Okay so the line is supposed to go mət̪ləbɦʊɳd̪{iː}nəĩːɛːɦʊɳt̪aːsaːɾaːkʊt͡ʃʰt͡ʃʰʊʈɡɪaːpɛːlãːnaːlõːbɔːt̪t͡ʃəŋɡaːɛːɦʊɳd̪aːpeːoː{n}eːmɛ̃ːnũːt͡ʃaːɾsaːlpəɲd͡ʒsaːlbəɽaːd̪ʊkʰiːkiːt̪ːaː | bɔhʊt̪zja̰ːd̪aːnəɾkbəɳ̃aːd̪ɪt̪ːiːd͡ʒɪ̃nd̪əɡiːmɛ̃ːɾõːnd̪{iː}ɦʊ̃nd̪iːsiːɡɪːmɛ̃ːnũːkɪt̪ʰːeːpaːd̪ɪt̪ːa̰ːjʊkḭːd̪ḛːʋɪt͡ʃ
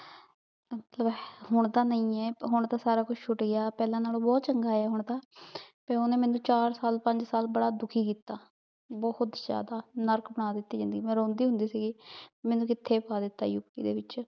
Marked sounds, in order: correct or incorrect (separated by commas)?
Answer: incorrect, correct, correct